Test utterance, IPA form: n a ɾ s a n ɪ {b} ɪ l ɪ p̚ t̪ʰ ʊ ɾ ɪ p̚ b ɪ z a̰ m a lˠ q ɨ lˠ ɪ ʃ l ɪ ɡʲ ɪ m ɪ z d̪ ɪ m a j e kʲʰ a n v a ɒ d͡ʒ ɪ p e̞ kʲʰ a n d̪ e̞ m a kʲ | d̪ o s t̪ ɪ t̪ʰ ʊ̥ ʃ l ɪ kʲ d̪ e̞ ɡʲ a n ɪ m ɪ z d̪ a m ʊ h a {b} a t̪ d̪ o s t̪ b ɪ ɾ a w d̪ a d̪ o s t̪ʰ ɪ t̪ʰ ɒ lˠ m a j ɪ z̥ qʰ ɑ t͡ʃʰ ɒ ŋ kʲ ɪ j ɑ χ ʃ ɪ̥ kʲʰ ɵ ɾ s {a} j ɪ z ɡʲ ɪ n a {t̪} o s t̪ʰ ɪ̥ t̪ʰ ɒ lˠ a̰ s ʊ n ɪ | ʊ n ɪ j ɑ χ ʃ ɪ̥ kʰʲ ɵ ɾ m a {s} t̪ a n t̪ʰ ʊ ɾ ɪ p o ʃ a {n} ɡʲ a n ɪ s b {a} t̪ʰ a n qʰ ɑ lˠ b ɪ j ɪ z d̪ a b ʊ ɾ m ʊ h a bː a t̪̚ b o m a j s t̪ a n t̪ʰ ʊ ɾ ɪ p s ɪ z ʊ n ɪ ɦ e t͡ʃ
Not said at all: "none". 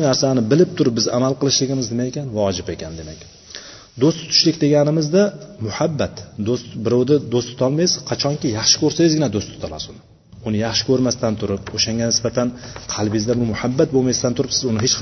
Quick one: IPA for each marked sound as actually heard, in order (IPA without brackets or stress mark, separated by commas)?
b, bː, a, d̪, s, ŋ, a